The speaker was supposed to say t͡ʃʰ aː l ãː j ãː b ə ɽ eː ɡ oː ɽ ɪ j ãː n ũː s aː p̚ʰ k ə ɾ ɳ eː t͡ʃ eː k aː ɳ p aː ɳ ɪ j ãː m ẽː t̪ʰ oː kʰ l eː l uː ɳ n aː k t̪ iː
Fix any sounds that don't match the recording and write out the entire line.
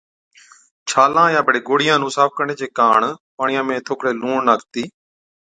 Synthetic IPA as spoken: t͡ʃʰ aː l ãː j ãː b ə ɽ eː ɡ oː ɽ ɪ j ãː n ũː s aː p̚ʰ k ə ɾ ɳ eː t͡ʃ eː k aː ɳ p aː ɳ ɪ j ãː m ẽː t̪ʰ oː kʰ ɽ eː l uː ɳ n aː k t̪ iː